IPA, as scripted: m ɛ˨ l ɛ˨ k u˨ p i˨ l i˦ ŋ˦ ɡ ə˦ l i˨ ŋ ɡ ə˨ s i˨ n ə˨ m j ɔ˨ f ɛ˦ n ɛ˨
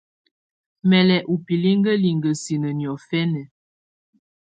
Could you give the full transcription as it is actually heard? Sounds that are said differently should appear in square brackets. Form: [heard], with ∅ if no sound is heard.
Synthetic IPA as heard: m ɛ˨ l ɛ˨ [ʔ] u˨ p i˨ l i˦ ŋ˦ ɡ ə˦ l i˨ ŋ ɡ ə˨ s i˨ n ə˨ [n] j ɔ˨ f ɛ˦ n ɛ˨